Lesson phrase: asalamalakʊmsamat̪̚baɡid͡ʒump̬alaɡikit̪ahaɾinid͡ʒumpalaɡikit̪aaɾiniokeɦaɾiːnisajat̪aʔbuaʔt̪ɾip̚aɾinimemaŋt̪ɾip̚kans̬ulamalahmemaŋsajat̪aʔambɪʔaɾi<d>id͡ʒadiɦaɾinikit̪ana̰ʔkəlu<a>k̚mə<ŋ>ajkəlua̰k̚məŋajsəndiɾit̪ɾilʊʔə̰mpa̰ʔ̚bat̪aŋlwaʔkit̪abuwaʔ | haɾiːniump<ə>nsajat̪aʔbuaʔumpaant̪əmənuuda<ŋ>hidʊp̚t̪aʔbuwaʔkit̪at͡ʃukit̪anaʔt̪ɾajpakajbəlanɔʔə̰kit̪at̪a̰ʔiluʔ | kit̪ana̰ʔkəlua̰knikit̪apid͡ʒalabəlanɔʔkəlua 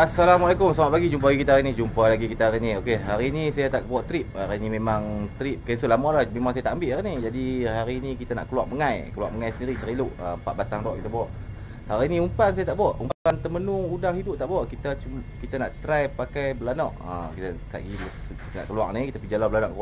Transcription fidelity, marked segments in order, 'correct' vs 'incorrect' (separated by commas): incorrect, correct, correct, incorrect, correct